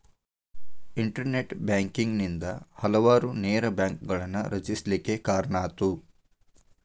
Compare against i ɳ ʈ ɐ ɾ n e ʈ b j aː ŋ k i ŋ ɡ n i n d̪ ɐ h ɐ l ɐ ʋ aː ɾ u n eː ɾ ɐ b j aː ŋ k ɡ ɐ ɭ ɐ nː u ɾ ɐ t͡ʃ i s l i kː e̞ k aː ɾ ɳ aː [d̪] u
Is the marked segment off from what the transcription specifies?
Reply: yes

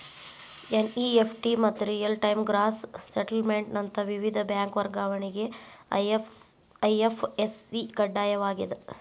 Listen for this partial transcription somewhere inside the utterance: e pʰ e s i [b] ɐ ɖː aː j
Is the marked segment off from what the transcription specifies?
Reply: yes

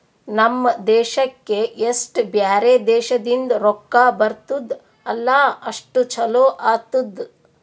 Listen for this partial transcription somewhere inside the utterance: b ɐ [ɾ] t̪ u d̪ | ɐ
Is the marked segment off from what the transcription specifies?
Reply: no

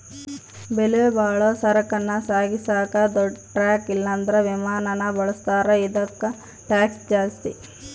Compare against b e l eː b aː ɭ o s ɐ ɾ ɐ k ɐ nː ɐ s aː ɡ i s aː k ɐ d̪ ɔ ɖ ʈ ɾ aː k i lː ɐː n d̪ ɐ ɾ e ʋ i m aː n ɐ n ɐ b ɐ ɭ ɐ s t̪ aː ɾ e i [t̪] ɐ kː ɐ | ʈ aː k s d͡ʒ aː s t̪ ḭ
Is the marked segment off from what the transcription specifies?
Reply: yes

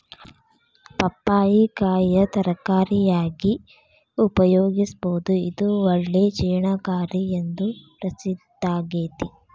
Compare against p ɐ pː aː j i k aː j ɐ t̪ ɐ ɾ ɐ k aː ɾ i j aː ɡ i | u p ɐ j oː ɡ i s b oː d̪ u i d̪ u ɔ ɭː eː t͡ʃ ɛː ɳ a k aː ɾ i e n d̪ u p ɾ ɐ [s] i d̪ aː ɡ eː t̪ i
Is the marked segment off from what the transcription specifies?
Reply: no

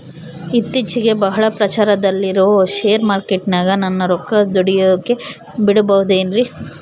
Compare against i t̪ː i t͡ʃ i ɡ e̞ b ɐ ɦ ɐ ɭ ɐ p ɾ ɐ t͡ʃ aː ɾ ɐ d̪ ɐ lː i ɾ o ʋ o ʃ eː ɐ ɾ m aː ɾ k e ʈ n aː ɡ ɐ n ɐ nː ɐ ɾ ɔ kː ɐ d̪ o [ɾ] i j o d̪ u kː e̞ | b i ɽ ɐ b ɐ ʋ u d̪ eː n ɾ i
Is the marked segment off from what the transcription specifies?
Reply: yes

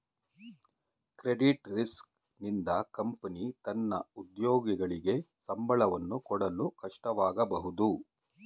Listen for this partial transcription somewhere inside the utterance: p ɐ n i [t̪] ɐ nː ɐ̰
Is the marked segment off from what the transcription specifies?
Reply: no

